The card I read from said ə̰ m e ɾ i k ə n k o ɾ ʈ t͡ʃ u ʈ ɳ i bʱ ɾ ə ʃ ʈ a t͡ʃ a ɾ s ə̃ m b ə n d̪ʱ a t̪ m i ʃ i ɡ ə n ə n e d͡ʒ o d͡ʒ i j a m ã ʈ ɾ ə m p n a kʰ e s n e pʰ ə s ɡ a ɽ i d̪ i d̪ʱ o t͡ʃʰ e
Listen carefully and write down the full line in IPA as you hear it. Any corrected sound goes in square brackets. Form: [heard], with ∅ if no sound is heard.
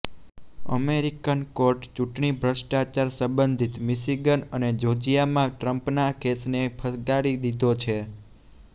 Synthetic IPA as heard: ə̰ m e ɾ i k ə n k o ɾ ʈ t͡ʃ u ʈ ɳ i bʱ ɾ ə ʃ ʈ a t͡ʃ a ɾ s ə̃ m b ə n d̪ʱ [i] t̪ m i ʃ i ɡ ə n ə n e d͡ʒ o d͡ʒ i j a m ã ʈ ɾ ə m p n a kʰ e s n e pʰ ə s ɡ a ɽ i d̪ i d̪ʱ o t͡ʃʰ e

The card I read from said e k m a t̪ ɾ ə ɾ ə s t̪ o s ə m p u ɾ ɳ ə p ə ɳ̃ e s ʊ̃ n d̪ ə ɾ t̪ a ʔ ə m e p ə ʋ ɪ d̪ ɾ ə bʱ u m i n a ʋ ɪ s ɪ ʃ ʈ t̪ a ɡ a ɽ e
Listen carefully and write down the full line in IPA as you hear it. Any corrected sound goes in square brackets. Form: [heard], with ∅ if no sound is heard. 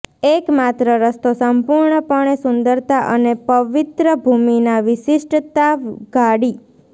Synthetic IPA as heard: e k m a t̪ ɾ ə ɾ ə s t̪ o s ə m p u ɾ ɳ ə p ə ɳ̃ e s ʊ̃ n d̪ ə ɾ t̪ a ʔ ə [n] e p ə ʋ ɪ [t̪] ɾ ə bʱ u m i n a ʋ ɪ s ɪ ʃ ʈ t̪ a ɡ a ɽ [i]

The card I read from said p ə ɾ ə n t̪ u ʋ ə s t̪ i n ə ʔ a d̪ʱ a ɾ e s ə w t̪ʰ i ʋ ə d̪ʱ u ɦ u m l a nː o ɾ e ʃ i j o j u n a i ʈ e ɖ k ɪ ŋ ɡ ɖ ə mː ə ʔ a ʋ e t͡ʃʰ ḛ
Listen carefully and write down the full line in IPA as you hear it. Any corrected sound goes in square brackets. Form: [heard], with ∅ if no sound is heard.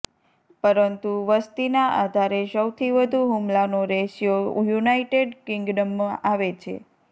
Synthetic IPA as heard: p ə ɾ ə n t̪ u ʋ ə s t̪ i n [a] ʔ a d̪ʱ a ɾ e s ə w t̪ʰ i ʋ ə d̪ʱ u ɦ u m l a [n] o ɾ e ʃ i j o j u n a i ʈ e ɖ k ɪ ŋ ɡ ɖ ə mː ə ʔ a ʋ e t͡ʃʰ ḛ

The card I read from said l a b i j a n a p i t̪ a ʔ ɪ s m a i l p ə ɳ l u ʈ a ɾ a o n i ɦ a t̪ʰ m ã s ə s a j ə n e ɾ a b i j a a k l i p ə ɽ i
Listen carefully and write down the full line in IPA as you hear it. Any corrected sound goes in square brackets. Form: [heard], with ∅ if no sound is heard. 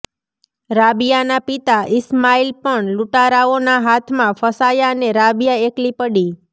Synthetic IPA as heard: [ɾ] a b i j a n a p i t̪ a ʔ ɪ s m a i l p ə ɳ l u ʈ a ɾ a o n [a] ɦ a t̪ʰ m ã [f] ə s a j [a] n e ɾ a b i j a [e] k l i p ə ɽ i

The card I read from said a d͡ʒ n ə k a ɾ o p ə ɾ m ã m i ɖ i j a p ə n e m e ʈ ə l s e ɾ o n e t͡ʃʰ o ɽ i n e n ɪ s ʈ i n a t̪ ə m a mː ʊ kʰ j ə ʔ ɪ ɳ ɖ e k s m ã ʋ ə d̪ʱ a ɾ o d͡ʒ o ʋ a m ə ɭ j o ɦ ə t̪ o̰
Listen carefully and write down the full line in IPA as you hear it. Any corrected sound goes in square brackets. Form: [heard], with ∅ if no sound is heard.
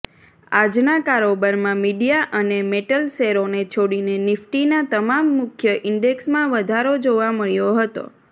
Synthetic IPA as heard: a d͡ʒ n [a] k a ɾ o [b] ə ɾ m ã m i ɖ i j a [ʔ] ə n e m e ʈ ə l s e ɾ o n e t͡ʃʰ o ɽ i n e n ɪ [f] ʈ i n a t̪ ə m a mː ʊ kʰ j ə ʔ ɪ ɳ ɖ e k s m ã ʋ ə d̪ʱ a ɾ o d͡ʒ o ʋ a m ə ɭ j o ɦ ə t̪ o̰

